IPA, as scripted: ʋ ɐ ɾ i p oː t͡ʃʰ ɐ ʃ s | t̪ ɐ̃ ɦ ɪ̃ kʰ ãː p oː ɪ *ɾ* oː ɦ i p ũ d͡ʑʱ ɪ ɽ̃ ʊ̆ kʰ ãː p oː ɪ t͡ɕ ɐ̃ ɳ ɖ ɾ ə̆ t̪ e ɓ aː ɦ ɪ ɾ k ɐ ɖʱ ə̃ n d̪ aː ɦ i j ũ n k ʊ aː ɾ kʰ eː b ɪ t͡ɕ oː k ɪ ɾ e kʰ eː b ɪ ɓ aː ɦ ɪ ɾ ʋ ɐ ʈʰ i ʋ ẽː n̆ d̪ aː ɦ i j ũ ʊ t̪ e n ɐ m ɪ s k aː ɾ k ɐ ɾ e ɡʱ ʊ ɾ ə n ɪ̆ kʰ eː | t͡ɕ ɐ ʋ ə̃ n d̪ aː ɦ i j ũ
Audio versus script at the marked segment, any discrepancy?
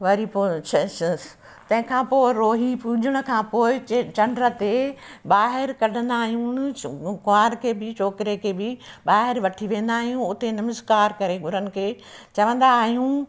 no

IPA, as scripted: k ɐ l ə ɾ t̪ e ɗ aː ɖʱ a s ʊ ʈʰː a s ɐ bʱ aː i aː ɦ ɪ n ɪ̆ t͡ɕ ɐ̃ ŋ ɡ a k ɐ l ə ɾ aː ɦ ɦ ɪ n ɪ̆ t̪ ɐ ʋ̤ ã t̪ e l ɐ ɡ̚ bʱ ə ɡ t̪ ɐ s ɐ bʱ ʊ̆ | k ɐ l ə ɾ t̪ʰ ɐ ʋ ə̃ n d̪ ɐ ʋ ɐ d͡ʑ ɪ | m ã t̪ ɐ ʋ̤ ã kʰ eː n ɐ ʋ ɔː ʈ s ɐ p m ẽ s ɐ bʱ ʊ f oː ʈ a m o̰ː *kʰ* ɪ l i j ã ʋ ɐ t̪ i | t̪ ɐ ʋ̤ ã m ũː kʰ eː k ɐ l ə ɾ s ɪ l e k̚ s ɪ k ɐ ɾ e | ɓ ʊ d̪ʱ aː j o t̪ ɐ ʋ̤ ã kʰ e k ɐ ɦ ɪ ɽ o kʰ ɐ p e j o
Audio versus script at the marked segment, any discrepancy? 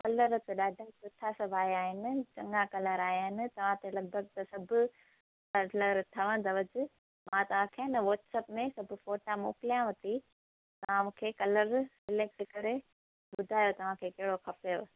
yes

